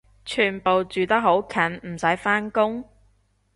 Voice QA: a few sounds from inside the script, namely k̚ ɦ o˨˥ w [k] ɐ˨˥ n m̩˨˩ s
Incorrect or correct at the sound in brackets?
incorrect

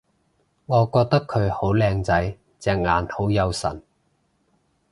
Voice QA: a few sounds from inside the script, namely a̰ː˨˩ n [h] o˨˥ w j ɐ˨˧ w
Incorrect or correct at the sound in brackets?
correct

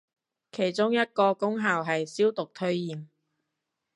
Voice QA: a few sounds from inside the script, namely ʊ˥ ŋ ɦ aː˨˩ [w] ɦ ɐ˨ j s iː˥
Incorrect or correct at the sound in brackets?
correct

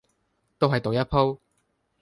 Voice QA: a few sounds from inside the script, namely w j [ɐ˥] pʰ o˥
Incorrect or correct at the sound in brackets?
correct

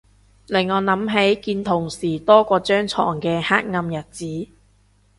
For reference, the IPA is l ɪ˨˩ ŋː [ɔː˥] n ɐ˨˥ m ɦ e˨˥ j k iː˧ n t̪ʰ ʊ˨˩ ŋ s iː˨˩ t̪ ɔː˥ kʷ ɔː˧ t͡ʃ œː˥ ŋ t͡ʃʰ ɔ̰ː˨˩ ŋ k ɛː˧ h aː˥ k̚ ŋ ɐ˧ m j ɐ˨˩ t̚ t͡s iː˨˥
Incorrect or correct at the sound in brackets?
incorrect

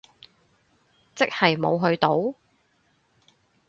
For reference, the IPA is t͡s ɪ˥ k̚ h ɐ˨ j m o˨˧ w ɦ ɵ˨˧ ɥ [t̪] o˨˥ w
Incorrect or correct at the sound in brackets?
correct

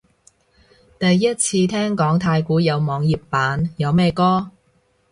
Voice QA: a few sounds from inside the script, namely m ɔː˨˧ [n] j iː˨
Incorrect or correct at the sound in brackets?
incorrect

